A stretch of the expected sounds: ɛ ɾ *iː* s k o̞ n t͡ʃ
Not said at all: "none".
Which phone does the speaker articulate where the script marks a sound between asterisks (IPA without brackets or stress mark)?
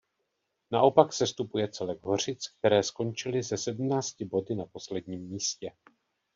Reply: ɛː